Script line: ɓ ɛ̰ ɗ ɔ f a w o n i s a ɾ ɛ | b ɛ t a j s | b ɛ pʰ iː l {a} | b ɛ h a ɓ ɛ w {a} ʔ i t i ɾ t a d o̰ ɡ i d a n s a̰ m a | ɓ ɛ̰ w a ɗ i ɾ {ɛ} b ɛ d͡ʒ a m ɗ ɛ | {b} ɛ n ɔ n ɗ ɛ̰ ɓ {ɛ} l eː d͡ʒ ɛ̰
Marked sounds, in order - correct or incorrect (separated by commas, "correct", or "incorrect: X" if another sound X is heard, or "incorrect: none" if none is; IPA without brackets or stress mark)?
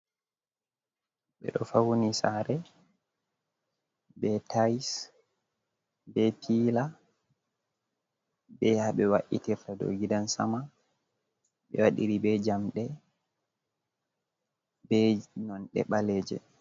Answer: correct, correct, incorrect: i, correct, incorrect: a